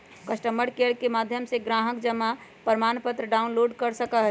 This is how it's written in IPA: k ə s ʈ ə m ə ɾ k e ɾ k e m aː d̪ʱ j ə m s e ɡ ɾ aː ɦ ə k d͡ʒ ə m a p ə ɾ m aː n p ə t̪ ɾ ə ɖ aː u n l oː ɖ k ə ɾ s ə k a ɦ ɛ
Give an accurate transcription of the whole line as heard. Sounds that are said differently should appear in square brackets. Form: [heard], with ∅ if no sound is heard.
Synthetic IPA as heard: k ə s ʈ ə m ə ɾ k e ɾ k e m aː d̪ʱ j ə m s e ɡ ɾ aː ɦ ə k d͡ʒ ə m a p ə ɾ m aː n p ə t̪ ɾ ə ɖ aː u n l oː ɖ k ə ɾ s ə k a ɦ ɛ